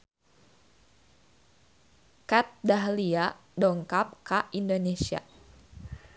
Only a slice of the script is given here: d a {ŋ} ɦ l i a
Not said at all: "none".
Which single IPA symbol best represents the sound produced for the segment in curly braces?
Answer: none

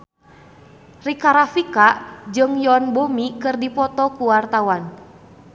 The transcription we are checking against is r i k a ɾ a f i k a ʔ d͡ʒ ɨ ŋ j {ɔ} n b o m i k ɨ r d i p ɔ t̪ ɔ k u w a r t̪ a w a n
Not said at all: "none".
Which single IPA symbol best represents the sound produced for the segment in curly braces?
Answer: ɔ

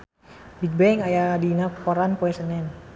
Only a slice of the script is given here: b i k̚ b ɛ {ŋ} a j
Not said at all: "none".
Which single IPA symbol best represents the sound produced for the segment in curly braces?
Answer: ŋ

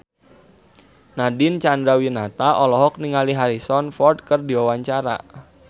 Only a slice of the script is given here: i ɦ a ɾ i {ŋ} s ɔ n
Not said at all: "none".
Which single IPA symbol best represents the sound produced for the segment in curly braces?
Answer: none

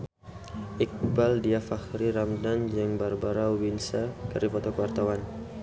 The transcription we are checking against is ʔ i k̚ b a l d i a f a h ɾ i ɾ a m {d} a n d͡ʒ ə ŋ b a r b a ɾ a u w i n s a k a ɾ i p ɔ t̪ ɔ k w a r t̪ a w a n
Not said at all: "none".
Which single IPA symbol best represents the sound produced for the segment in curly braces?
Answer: d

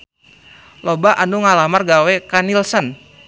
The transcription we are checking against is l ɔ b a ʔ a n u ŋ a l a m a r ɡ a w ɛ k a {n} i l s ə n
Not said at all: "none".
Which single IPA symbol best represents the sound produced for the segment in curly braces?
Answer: n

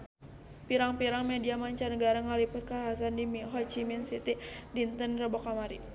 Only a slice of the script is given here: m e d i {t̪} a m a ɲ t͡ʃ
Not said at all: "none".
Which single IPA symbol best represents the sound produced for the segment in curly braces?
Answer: none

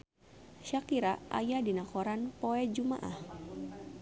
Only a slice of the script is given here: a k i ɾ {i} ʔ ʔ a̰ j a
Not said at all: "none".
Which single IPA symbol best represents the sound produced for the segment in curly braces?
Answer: a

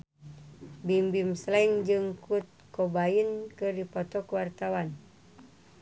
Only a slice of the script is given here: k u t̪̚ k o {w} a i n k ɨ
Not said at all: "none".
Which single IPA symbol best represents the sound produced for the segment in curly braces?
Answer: b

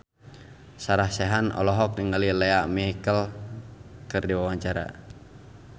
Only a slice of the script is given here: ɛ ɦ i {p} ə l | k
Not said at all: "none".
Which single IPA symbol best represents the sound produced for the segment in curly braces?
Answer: k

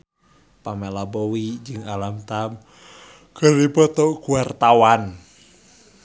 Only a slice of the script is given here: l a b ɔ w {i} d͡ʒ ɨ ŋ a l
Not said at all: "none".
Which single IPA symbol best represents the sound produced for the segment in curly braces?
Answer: i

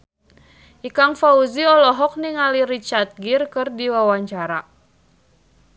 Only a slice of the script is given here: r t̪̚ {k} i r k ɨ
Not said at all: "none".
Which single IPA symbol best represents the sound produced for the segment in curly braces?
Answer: ɡ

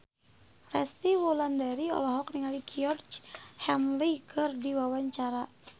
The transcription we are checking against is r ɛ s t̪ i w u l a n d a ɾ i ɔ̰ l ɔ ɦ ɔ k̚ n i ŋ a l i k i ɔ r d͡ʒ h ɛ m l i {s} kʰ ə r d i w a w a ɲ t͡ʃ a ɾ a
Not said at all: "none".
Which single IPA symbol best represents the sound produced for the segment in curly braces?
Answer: none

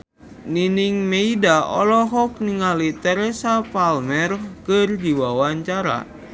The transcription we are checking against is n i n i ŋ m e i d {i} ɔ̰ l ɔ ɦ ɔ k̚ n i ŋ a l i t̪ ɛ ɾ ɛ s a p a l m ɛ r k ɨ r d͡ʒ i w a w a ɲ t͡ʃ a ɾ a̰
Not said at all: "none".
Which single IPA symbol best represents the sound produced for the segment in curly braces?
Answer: a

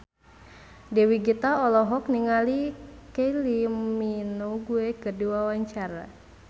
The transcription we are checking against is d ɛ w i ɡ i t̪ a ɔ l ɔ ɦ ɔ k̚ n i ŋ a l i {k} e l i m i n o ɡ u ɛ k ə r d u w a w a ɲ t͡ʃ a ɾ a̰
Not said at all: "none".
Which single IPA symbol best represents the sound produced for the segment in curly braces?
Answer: k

